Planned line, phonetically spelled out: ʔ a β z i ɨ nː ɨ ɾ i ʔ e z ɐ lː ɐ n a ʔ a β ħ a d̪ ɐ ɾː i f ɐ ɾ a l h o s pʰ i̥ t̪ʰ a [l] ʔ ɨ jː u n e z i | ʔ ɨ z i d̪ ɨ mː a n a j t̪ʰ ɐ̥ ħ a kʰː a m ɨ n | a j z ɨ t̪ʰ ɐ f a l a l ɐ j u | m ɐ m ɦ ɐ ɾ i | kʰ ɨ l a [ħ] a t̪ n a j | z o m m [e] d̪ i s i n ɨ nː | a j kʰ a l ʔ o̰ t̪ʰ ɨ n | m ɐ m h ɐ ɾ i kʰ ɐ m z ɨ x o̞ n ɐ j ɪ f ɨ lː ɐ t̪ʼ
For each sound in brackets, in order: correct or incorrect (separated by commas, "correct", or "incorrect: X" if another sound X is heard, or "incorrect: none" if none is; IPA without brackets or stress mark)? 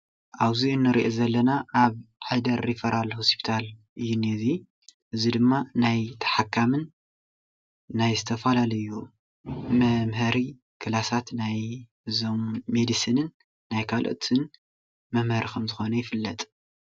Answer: correct, incorrect: s, correct